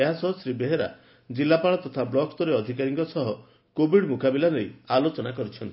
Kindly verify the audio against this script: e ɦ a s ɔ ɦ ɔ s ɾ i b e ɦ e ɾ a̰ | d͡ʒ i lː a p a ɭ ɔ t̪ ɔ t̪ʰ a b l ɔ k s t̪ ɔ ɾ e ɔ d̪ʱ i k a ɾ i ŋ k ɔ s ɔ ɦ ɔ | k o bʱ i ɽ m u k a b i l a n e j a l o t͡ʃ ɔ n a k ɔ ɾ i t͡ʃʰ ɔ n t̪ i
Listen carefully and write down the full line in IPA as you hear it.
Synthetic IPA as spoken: e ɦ a s ɔ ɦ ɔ s ɾ i b e ɦ e ɾ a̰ | d͡ʒ i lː a p a ɭ ɔ t̪ ɔ t̪ʰ a b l ɔ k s t̪ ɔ ɾ e ɔ d̪ʱ i k a ɾ i ŋ k ɔ s ɔ ɦ ɔ | k o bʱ i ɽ m u k a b i l a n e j a l o t͡ʃ ɔ n a k ɔ ɾ i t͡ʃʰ ɔ n t̪ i